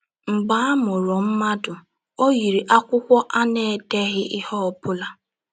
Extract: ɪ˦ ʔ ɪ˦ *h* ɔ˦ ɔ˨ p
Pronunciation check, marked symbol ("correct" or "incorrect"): correct